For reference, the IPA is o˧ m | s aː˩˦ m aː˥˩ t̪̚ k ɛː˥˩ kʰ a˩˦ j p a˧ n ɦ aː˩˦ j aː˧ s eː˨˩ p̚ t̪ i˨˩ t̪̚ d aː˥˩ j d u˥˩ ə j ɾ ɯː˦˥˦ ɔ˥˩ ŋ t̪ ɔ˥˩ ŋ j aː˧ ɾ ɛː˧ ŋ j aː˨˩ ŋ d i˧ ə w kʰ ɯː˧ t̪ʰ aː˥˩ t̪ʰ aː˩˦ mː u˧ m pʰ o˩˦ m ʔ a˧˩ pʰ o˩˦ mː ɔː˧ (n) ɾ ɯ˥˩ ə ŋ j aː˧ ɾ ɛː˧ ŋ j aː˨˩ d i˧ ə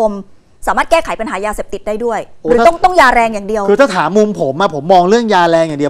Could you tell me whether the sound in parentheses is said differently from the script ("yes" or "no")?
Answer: yes